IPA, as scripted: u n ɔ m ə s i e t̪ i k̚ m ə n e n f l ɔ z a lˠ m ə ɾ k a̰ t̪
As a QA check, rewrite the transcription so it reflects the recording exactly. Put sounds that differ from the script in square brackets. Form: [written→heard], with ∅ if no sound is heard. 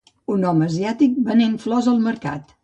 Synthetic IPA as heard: u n ɔ m ə [s→z] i [e→a] t̪ i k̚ [m→b] ə n e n f l ɔ z [a→ə] lˠ m ə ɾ k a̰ t̪